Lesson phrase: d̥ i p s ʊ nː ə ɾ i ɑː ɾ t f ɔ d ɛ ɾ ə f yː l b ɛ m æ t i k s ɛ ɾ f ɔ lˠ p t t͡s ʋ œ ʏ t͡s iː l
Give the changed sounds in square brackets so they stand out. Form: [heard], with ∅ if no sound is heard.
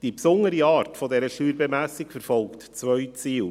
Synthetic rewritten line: d̥ i p s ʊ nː ə ɾ i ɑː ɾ t f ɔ d ɛ ɾ ə [ʃ] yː [ɾ] b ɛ m æ [s] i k [f] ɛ ɾ f ɔ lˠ [k] t t͡s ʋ œ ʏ t͡s iː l